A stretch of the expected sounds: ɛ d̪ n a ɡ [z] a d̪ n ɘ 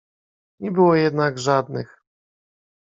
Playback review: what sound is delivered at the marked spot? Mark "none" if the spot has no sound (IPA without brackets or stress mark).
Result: ʐ